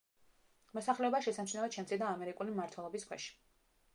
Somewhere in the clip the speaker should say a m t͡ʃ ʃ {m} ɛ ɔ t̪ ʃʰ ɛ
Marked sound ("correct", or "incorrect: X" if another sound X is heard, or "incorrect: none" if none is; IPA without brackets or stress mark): incorrect: n